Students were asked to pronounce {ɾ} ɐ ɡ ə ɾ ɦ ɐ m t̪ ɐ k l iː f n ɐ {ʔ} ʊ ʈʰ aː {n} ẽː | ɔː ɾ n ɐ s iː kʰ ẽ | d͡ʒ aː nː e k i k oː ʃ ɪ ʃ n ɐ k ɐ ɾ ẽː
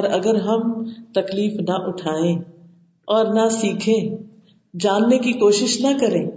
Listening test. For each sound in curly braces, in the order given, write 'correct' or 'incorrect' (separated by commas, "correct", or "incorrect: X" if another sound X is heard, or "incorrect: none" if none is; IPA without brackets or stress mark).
correct, correct, incorrect: none